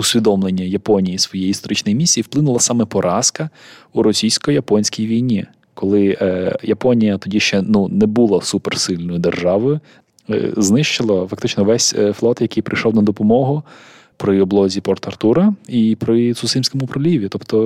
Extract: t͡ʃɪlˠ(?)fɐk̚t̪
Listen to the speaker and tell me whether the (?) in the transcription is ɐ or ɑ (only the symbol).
ɐ